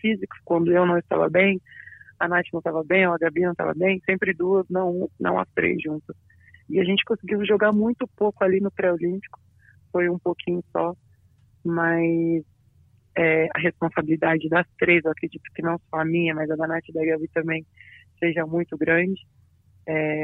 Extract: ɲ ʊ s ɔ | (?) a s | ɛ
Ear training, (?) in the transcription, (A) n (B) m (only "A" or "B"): B